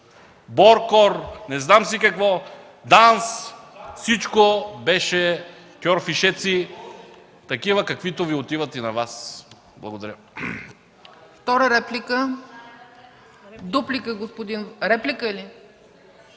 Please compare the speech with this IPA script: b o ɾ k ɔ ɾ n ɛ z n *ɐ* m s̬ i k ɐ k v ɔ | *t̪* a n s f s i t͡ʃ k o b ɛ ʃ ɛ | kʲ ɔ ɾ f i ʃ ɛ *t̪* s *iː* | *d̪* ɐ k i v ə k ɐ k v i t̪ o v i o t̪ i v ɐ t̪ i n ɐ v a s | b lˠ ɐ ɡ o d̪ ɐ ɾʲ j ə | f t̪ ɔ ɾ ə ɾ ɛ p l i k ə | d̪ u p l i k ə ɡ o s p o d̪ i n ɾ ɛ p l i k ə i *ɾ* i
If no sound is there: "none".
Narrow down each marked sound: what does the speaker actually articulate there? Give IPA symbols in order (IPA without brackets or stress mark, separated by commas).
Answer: a, d̪, t̪, i, t̪, l